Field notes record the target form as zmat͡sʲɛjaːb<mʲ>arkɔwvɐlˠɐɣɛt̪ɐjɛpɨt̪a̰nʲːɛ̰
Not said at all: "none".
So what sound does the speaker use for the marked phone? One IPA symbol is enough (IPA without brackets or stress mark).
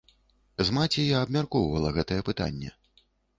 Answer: mʲ